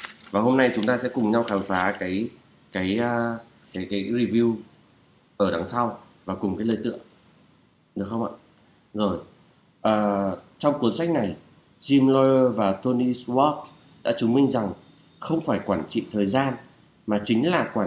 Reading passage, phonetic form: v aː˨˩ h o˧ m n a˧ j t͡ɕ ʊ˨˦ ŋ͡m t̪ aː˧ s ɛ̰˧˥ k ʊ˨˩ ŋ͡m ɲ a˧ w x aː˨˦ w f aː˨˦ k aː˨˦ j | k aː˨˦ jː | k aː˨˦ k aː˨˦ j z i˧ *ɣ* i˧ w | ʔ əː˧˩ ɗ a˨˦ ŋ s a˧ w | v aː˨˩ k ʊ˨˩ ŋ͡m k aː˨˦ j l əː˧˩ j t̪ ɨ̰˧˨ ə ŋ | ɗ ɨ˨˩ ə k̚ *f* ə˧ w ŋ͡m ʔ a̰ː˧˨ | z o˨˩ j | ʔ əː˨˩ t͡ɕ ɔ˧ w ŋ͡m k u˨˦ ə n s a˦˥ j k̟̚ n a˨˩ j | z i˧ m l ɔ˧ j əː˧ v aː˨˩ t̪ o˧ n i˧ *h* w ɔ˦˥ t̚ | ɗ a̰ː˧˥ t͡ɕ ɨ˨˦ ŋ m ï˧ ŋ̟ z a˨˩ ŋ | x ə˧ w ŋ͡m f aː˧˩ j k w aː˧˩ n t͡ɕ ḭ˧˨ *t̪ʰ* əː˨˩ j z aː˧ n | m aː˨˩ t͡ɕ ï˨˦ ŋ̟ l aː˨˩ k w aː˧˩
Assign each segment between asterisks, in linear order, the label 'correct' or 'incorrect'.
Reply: incorrect: v, incorrect: x, incorrect: s, correct

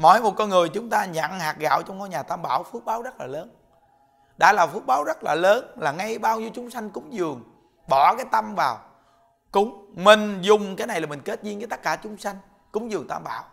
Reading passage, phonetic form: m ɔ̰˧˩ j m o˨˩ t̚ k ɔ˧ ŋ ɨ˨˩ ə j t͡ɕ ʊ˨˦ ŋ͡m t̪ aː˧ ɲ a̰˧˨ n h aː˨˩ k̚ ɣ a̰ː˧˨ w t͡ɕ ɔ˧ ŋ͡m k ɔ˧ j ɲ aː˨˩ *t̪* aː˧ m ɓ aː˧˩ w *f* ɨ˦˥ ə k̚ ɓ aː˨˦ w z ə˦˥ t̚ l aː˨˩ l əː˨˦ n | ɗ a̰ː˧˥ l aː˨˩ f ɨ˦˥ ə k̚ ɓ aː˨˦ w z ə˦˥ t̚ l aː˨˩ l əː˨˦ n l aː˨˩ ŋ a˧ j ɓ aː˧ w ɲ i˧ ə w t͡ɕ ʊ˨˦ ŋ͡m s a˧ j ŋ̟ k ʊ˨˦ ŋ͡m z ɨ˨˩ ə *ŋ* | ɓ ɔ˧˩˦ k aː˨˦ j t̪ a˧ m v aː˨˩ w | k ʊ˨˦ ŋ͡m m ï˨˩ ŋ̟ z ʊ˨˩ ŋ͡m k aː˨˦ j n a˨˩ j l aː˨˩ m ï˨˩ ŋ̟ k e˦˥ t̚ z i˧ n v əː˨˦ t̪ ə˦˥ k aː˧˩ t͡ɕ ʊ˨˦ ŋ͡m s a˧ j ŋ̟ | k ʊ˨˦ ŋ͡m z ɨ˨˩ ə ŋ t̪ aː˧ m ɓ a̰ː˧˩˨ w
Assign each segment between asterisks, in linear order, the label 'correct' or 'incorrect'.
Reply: correct, correct, correct

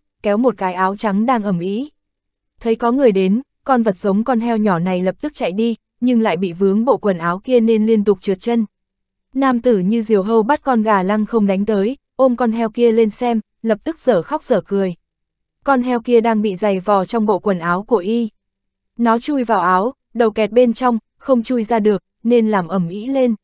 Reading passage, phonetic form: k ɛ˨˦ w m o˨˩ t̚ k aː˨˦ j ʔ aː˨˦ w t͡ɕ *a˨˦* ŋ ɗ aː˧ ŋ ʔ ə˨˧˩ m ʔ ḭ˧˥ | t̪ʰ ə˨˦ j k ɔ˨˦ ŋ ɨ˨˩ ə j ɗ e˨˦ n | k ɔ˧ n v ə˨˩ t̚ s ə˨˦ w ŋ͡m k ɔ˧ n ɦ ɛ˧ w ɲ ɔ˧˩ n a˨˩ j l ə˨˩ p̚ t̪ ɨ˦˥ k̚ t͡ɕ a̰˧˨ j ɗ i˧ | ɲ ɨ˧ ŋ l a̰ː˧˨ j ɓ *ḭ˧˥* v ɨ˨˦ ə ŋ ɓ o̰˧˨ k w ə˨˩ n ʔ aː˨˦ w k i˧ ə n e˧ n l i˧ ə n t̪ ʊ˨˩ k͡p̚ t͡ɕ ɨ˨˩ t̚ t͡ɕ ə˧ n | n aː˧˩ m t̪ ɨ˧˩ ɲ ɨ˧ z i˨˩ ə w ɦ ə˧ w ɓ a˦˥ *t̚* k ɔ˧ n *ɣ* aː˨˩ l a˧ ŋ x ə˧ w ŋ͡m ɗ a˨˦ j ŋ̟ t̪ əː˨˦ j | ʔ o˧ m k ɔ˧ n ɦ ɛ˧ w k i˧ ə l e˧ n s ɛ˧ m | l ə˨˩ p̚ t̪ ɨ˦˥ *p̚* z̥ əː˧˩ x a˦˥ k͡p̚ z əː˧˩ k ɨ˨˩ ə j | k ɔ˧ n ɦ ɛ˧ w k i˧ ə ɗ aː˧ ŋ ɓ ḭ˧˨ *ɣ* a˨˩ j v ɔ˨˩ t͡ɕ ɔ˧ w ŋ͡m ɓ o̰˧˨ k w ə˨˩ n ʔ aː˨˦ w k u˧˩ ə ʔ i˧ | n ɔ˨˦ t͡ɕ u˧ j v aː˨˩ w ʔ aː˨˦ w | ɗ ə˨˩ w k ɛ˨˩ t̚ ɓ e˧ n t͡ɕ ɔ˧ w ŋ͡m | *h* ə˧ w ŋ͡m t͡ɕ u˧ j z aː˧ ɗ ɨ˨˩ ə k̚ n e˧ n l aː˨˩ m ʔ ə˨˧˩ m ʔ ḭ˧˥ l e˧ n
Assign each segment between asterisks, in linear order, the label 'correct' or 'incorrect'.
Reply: correct, incorrect: ḭ˧˨, correct, correct, incorrect: k̚, incorrect: z, incorrect: x

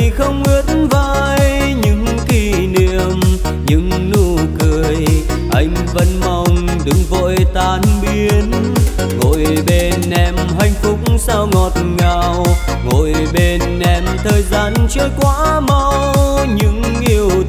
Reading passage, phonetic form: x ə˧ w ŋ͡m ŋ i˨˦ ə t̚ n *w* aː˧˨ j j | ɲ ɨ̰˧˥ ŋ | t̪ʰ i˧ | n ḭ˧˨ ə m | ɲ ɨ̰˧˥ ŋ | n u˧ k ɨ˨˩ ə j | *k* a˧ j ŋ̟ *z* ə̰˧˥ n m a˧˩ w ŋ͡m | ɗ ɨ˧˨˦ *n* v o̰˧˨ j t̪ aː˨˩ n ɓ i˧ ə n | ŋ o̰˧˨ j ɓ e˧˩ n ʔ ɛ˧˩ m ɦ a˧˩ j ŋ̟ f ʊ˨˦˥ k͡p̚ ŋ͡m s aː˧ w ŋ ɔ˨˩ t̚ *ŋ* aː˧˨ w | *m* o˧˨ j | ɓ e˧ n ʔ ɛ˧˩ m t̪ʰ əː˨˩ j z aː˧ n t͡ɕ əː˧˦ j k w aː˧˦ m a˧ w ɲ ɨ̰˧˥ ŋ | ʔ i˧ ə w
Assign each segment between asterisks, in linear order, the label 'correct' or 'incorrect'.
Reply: incorrect: v, incorrect: ʔ, incorrect: v, incorrect: ŋ, correct, incorrect: ŋ

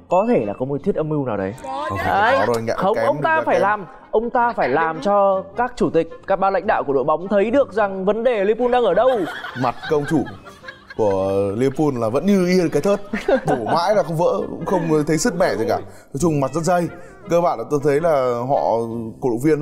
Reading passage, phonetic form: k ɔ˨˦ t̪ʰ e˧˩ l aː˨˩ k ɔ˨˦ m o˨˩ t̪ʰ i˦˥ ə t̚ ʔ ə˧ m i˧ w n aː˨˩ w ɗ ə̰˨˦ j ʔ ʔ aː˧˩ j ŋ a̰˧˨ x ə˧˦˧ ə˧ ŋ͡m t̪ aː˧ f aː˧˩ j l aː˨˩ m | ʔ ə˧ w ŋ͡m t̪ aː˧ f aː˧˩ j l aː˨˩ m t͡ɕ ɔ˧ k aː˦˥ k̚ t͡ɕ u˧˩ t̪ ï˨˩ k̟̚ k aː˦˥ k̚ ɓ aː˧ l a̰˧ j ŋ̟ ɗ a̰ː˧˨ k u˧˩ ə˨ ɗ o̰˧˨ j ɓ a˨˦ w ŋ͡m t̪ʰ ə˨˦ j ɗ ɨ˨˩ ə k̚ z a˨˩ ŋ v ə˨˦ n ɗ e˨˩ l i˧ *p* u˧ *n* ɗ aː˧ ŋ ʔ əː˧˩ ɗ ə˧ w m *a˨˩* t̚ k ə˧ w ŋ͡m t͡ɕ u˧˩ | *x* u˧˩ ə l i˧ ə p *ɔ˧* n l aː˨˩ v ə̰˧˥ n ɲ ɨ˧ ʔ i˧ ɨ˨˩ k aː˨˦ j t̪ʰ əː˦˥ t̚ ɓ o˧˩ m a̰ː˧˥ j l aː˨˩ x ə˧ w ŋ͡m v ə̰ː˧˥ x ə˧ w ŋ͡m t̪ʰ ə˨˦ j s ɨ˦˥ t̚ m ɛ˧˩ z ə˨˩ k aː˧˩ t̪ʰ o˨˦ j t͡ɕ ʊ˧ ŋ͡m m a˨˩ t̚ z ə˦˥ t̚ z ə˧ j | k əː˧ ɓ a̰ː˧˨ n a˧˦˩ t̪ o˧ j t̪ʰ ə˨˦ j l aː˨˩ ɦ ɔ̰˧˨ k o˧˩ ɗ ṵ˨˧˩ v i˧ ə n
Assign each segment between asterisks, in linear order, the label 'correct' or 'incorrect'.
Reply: correct, correct, correct, incorrect: k, incorrect: u˧

